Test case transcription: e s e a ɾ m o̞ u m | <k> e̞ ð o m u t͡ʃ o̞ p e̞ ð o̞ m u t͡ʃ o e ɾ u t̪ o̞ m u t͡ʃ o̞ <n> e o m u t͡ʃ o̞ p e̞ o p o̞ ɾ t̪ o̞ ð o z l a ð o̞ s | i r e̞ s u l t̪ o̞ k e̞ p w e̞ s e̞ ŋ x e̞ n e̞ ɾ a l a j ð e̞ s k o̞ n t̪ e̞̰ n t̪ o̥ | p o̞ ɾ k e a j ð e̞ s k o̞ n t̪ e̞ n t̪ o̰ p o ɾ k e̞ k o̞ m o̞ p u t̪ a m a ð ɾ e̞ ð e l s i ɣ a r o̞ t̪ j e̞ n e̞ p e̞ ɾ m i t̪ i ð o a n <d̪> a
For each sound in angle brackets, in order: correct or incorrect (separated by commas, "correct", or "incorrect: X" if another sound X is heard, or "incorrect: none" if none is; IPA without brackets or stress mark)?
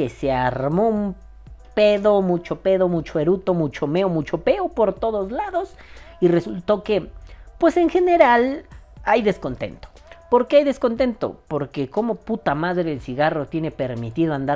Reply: incorrect: p, incorrect: m, correct